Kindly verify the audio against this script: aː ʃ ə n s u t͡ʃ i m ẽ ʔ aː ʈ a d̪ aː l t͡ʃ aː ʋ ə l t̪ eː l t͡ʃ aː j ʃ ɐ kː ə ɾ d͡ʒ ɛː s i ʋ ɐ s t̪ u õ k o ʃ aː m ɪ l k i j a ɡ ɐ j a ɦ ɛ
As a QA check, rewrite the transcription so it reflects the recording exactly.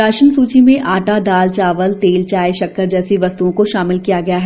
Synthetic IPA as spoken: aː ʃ ə n s uː t͡ʃ i m ẽ ʔ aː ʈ a d̪ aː l t͡ʃ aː ʋ ə l t̪ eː l t͡ʃ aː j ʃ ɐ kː ə ɾ d͡ʒ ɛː s i ʋ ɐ s t̪ u õ k o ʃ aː m ɪ l k i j a ɡ ɐ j a ɦ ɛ